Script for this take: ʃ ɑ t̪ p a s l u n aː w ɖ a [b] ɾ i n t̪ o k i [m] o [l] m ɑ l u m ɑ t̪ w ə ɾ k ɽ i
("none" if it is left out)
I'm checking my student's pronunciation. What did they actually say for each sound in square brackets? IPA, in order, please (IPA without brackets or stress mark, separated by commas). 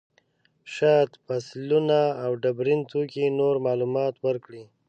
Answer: b, n, ɾ